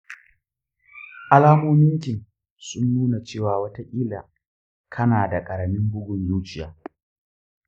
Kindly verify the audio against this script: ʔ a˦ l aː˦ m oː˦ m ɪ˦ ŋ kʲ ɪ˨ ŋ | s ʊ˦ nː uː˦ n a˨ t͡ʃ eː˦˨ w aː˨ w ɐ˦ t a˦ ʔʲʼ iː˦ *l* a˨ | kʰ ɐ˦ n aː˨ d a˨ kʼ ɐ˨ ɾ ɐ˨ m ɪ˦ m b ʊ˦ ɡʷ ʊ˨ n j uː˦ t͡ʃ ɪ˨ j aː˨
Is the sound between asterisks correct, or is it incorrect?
correct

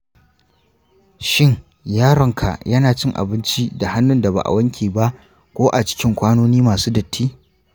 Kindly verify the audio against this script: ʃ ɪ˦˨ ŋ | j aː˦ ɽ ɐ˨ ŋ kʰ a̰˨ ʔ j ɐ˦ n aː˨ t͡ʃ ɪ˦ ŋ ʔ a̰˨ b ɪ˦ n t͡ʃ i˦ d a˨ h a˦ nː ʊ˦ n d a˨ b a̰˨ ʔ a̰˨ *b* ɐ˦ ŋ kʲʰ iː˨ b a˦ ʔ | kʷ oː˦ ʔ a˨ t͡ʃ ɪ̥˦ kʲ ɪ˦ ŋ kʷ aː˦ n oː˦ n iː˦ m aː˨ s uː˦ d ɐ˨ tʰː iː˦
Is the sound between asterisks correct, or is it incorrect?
incorrect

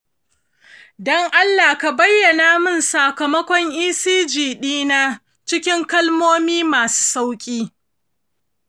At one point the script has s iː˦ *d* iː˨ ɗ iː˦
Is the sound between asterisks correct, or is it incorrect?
incorrect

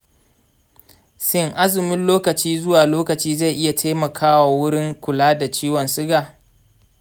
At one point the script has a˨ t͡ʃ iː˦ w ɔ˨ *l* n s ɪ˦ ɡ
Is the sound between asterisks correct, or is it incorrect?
incorrect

